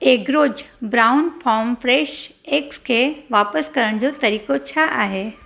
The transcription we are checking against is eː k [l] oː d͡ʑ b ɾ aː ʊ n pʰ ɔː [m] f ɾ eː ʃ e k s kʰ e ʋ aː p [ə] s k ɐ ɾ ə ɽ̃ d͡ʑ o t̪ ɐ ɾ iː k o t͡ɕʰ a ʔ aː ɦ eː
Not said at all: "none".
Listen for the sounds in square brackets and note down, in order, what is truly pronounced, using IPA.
ɾ, m, ə

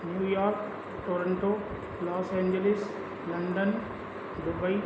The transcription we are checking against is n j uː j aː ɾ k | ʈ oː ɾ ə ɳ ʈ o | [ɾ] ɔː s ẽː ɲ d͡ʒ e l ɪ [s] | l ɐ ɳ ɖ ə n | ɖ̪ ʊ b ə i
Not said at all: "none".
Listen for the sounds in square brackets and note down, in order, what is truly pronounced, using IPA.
l, s

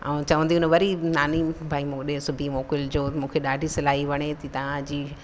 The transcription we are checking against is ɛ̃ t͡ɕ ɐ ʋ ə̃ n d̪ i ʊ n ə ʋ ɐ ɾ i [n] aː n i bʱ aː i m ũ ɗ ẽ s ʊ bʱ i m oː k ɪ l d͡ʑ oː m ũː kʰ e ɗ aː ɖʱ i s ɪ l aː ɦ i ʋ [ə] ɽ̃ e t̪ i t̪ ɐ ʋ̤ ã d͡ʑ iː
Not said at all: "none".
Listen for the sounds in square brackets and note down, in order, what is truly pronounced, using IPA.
n, ɐ

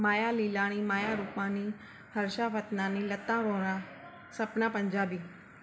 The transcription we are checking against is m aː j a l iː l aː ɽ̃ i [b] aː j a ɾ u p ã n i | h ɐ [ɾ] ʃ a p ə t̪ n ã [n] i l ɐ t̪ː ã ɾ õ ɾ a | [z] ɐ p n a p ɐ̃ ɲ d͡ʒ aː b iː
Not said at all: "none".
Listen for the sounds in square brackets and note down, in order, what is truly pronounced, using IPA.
m, ɾ, n, s

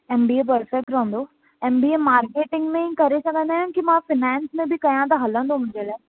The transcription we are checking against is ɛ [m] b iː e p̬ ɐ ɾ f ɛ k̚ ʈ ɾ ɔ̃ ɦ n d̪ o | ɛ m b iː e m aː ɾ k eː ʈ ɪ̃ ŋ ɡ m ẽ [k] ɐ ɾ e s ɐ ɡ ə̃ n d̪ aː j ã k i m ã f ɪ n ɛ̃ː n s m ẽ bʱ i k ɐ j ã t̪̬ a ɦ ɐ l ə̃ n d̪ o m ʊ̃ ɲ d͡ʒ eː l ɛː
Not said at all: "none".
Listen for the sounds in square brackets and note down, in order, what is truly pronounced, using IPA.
m, k

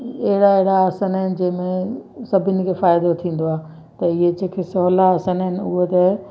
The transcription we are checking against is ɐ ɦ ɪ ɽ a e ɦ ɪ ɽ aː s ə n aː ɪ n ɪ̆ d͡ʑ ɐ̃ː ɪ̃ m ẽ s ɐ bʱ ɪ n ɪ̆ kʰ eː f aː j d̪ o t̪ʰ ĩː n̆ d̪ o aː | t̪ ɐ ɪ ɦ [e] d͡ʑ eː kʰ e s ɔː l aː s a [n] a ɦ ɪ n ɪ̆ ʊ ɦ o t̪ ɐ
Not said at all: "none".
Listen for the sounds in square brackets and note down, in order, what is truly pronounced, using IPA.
e, n

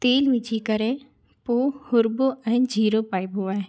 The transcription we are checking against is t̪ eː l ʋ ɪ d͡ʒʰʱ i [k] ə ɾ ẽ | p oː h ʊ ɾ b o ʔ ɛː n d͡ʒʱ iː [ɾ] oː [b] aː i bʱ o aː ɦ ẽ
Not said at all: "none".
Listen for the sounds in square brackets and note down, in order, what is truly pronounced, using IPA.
k, ɾ, p

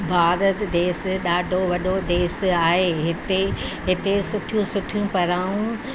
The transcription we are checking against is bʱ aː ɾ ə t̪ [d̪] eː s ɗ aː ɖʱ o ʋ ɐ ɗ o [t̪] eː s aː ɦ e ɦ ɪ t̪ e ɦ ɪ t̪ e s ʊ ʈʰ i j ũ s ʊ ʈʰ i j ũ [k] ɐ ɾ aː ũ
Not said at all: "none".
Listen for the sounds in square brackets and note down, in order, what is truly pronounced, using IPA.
d̪, d̪, p

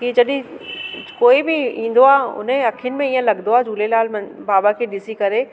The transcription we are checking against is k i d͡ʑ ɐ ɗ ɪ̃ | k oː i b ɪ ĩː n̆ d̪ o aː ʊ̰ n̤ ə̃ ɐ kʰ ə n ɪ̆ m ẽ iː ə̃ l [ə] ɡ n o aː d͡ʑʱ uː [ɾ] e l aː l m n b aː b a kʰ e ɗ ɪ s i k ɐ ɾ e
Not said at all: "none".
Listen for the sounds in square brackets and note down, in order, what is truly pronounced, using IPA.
ɐ, l

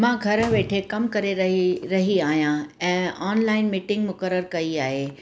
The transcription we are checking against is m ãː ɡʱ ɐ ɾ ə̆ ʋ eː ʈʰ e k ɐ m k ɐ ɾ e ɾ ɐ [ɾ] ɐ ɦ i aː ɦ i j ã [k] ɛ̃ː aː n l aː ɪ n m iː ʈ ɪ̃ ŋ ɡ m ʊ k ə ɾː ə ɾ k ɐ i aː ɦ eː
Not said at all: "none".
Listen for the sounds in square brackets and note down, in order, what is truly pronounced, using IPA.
ɾ, none

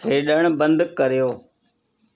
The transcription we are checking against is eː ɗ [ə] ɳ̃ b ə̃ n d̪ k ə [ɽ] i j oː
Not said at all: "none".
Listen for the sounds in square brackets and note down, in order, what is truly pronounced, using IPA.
ə, ɾ

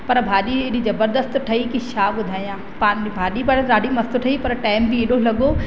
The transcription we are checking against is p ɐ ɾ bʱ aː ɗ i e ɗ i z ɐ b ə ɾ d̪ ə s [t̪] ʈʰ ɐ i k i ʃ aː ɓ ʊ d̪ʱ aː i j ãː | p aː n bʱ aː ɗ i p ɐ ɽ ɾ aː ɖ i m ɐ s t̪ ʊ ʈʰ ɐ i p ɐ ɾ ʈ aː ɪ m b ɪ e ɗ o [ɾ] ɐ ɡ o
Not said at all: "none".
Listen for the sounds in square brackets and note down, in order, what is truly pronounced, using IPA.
t̪, l

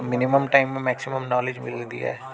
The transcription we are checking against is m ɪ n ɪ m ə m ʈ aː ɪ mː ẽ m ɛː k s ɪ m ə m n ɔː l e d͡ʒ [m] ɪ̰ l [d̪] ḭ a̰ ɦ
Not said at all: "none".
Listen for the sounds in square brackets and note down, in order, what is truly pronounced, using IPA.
m, d̪

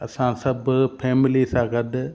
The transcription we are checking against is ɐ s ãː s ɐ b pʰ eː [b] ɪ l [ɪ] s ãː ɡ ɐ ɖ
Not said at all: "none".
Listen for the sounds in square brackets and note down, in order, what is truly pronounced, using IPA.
m, i

